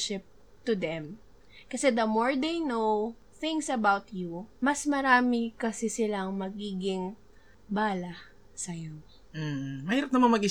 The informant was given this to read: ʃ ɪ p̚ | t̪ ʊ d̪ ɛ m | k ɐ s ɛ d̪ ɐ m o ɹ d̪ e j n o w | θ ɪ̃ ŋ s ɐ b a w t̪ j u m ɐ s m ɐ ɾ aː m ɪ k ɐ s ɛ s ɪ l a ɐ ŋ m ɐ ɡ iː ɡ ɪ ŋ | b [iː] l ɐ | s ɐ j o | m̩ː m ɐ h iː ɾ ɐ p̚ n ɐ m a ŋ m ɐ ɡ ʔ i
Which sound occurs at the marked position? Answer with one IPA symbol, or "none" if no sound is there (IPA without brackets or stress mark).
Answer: aː